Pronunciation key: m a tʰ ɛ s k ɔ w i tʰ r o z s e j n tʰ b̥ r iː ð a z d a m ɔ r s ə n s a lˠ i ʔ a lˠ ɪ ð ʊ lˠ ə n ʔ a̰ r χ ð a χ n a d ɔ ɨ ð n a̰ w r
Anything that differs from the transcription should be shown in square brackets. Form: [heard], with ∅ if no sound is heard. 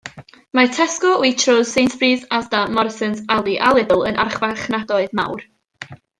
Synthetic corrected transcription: m a tʰ ɛ s k ɔ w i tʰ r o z s e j n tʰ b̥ r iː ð a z d a m ɔ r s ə n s a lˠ i ʔ a lˠ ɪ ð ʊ lˠ ə n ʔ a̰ r χ [v] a χ n a d ɔ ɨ ð [m] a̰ w r

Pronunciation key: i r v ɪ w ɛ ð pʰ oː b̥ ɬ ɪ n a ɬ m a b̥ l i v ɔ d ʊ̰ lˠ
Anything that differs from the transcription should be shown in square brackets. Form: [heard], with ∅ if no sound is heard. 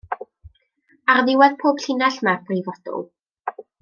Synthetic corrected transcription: [a] r [ð] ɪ w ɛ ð pʰ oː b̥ ɬ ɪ n a ɬ m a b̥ [r] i v ɔ d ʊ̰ lˠ

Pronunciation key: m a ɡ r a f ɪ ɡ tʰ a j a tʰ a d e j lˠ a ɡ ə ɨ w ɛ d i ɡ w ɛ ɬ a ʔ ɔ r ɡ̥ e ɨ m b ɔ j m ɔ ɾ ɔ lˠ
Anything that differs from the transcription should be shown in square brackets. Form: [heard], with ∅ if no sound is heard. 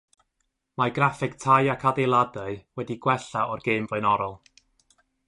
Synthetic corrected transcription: m a ɡ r a f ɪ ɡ tʰ a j a [kʰ] a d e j lˠ a [d] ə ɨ w ɛ d i ɡ w ɛ ɬ a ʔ ɔ r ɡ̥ e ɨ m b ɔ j [n] ɔ ɾ ɔ lˠ

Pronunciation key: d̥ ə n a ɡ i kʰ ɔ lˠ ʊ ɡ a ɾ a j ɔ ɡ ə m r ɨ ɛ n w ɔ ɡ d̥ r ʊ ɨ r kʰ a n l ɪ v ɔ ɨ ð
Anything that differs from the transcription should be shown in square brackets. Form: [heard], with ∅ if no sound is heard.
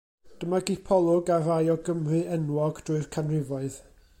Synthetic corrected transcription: d̥ ə [m] a ɡ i [pʰ] ɔ lˠ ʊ ɡ a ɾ a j ɔ ɡ ə m r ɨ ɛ n w ɔ ɡ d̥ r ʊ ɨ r kʰ a n [r] ɪ v ɔ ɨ ð

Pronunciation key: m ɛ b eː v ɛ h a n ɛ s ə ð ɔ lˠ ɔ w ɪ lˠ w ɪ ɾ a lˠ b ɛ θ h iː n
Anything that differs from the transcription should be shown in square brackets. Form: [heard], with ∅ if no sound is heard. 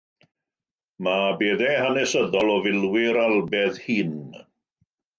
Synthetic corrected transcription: m [a] b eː [ð] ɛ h a n ɛ s ə ð ɔ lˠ ɔ [v] ɪ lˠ w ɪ ɾ a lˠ b ɛ [ð] h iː n

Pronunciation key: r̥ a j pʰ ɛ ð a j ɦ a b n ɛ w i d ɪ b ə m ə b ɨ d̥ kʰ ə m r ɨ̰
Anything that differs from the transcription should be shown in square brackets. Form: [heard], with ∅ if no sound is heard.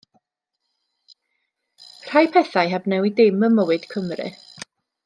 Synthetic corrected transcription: r̥ a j pʰ ɛ [θ] a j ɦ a b n ɛ w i d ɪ [m] ə m ə [w] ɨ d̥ kʰ ə m r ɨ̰

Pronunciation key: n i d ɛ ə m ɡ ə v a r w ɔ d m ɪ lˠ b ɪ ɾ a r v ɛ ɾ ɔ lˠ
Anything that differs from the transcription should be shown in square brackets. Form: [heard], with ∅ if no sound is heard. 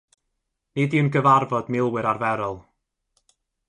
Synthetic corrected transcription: n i d [i] ə [n] ɡ ə v a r [v] ɔ d m ɪ lˠ [w] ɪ ɾ a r v ɛ ɾ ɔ lˠ

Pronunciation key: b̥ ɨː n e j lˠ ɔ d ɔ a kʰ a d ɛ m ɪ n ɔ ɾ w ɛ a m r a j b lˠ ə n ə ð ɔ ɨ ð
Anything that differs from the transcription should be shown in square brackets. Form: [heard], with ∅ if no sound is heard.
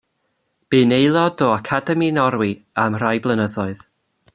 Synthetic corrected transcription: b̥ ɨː n e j lˠ ɔ d ɔ a kʰ a d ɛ m [i] n ɔ ɾ w [i] a m r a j b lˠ ə n ə ð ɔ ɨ ð

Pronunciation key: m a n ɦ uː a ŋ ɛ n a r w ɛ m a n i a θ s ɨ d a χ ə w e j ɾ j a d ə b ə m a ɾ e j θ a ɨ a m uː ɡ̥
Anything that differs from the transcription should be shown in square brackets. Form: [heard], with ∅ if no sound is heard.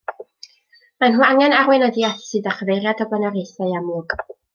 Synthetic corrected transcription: m a n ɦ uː a ŋ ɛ n a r w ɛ [n] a [d] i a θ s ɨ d a χ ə [v] e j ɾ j a d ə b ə [n] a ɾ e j θ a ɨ a m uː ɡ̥

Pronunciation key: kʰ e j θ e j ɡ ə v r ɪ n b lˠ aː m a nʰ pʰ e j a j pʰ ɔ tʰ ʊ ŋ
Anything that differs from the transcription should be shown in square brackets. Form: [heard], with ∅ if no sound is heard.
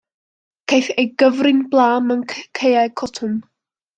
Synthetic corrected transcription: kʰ e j θ e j ɡ ə v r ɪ n b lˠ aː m [ə] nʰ [kʰ] e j a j [kʰ] ɔ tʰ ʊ [m]

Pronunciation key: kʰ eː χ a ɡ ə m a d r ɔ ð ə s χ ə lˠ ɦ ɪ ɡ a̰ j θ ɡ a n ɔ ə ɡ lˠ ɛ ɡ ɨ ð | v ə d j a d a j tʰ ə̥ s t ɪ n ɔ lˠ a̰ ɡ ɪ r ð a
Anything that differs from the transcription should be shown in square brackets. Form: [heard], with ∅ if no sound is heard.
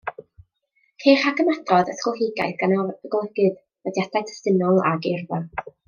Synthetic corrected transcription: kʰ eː χ a ɡ ə m a d r ɔ ð ə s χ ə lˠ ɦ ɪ ɡ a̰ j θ ɡ a n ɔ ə ɡ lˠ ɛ ɡ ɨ ð | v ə d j a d a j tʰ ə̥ s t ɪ n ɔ lˠ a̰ ɡ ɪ r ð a

